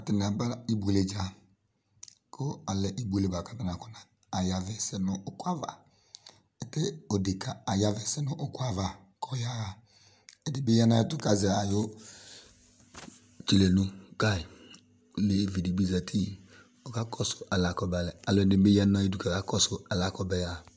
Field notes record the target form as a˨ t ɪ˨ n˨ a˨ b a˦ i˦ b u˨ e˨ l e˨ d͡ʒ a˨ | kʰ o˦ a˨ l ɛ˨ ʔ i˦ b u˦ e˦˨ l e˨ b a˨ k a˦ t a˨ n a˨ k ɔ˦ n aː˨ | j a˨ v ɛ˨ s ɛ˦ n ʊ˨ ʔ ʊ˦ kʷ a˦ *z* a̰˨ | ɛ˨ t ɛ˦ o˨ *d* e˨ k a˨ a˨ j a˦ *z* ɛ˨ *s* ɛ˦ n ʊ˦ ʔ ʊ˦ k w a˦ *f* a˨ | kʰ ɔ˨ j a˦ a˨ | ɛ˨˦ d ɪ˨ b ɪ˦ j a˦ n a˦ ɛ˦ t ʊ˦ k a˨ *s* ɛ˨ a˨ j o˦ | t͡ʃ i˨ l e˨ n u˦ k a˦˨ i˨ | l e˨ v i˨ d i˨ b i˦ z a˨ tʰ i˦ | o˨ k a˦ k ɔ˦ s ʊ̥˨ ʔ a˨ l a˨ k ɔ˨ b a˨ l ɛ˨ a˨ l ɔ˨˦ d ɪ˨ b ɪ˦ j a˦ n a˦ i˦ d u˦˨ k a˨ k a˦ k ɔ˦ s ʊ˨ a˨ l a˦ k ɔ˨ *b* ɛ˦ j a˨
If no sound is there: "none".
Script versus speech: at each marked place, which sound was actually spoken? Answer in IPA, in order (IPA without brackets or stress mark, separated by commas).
v, d, v, s, v, z, b